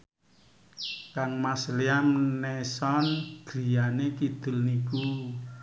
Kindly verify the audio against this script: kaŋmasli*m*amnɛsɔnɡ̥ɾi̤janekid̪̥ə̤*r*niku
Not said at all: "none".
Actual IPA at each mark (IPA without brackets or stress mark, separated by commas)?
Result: none, l